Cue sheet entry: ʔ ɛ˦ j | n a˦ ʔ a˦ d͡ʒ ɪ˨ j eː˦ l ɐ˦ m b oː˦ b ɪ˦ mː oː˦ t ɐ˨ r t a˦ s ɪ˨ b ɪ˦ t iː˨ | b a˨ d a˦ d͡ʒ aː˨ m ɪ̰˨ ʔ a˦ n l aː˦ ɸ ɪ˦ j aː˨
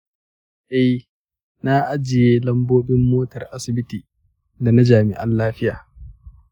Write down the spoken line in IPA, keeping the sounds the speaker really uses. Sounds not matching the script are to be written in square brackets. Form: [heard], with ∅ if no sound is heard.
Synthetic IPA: ʔ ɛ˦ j | n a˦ ʔ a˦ d͡ʒ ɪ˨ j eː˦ l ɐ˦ m b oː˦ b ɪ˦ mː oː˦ t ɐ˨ r [ʔ] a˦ s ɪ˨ b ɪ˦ t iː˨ | [d] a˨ [n] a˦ d͡ʒ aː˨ m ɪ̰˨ ʔ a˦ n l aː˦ ɸ ɪ˦ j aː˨

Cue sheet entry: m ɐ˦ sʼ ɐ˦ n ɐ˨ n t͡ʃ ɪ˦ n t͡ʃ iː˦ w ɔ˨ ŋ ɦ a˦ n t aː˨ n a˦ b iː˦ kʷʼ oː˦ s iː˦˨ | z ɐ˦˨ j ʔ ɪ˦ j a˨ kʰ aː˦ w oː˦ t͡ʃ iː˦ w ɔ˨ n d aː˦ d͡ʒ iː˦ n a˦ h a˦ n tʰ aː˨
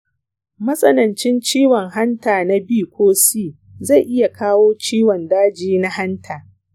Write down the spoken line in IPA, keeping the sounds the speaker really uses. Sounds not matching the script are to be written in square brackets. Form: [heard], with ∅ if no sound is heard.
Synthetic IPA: m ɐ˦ sʼ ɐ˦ n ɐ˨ n t͡ʃ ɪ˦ n t͡ʃ iː˦ w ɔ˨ ŋ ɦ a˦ n t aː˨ n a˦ b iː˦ [kʷ] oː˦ s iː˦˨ | z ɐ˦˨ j ʔ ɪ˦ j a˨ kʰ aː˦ w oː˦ t͡ʃ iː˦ w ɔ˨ n d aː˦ d͡ʒ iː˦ n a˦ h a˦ n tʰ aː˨

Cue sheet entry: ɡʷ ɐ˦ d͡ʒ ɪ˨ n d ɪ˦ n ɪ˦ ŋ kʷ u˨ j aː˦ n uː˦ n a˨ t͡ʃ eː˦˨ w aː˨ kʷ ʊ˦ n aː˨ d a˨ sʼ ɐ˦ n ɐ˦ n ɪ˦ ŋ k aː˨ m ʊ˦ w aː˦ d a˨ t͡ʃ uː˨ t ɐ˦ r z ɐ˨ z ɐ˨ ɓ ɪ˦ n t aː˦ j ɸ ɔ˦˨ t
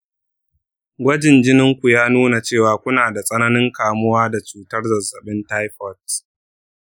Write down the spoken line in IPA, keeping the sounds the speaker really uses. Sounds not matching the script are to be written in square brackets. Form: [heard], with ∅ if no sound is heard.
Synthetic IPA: ɡʷ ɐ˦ d͡ʒ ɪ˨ n [d͡ʒ] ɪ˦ n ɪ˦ ŋ kʷ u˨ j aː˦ n uː˦ n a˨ t͡ʃ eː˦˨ w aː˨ kʷ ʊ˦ n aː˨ d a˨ sʼ ɐ˦ n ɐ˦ n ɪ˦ ŋ k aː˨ m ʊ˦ w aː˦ d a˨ t͡ʃ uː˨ t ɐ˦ r z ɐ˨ z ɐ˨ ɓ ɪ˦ n t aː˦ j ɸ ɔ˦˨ t

